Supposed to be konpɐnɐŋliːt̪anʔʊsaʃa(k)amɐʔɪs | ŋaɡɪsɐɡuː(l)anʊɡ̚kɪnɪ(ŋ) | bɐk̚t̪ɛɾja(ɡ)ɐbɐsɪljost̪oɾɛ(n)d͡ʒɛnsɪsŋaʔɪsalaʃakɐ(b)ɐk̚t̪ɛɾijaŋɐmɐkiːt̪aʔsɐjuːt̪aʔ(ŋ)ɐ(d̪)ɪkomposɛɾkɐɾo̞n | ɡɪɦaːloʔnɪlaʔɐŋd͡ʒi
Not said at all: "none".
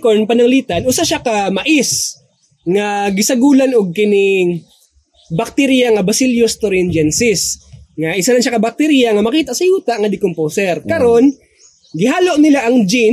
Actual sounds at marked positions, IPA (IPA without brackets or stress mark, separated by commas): k, l, ŋ, ŋ, n, b, ŋ, d̪